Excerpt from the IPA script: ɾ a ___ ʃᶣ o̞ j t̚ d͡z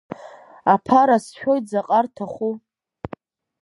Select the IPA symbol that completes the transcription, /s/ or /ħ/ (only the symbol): s